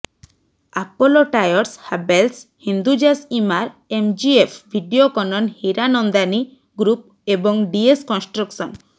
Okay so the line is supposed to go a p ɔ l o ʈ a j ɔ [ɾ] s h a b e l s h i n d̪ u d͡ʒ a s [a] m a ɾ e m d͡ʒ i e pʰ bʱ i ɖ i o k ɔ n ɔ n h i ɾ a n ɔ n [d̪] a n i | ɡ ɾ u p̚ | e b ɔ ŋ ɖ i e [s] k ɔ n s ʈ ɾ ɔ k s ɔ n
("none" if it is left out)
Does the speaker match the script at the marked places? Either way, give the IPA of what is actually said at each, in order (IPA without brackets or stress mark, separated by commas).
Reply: ɾ, i, d̪, s